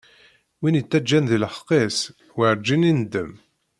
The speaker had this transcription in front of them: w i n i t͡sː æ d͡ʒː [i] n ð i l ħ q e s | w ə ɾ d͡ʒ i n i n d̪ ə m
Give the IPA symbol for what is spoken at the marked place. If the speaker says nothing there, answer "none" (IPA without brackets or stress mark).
æ